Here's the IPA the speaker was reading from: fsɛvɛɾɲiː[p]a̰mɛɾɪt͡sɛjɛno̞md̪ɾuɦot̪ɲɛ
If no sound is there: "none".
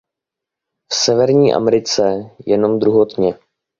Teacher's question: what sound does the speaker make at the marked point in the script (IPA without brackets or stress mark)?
ʔ